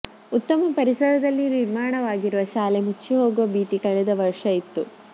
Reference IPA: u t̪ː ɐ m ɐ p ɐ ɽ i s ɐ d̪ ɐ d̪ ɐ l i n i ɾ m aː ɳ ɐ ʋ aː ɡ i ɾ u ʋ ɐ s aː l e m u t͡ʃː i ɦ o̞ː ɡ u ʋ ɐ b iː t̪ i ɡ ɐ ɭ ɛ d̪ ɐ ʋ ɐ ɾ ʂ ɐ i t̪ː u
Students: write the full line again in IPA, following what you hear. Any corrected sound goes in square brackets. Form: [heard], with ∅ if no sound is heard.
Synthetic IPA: u t̪ː ɐ m ɐ p ɐ [ɾ] i s ɐ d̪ ɐ d̪ ɐ [lː] i n i ɾ m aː ɳ ɐ ʋ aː ɡ i ɾ u ʋ ɐ [ʃ] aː l e m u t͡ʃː i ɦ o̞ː ɡ u ʋ ɐ b iː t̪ i [k] ɐ ɭ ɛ d̪ ɐ ʋ ɐ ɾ ʂ ɐ i t̪ː u